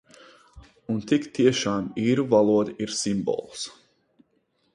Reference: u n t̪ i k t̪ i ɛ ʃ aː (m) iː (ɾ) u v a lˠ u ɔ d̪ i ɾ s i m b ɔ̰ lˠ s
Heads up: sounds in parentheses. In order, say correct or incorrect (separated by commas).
correct, correct